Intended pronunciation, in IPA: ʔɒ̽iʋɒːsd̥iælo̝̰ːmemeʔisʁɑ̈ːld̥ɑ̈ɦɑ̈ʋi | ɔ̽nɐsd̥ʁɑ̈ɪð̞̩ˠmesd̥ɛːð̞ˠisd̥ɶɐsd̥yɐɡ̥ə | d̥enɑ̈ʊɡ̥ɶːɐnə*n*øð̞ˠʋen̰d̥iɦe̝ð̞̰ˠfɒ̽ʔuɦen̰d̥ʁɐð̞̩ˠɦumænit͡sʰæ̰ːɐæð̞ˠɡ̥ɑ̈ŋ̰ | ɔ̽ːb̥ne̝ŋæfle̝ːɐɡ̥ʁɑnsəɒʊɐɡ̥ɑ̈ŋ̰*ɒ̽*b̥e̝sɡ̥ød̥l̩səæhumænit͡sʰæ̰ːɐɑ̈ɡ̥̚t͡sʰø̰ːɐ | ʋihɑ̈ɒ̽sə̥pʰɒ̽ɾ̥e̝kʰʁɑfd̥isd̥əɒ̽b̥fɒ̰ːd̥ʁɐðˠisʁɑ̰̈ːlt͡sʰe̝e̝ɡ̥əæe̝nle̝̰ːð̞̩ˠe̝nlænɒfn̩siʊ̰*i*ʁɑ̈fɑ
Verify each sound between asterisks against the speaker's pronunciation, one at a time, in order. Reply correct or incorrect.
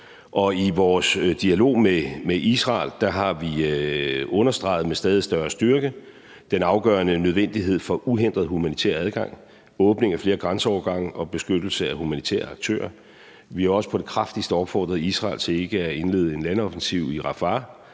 correct, correct, correct

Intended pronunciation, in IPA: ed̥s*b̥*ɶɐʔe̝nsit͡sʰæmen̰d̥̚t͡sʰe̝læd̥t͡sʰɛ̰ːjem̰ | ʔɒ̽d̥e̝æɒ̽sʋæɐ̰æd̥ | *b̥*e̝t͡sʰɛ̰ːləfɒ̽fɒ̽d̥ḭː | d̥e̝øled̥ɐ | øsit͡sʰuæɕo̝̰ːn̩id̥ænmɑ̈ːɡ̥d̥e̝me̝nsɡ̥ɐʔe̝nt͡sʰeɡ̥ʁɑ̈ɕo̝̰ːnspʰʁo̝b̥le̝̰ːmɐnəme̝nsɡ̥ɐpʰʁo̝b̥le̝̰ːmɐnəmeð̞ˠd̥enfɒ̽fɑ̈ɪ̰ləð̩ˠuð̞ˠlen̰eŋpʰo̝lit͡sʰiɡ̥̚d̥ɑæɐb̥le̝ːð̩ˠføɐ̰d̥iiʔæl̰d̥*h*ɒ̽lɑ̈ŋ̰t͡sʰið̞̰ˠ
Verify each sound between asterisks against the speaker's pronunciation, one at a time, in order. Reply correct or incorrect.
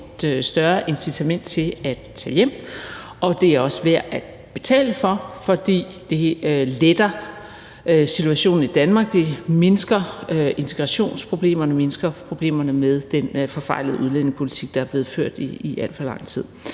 incorrect: d̥, correct, incorrect: f

